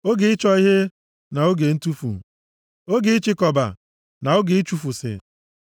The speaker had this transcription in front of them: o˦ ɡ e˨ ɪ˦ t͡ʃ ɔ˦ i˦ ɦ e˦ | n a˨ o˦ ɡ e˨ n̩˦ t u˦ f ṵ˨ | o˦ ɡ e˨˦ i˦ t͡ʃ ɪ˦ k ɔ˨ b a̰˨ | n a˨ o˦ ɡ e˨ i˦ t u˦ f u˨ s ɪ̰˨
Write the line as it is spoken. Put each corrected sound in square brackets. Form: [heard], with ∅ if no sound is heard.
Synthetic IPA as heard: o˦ ɡ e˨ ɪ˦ t͡ʃ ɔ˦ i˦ ɦ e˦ | n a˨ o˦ ɡ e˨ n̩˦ t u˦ f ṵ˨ | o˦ ɡ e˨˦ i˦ t͡ʃ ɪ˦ k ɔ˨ b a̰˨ | n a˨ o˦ ɡ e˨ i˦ [t͡ʃ] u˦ f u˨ s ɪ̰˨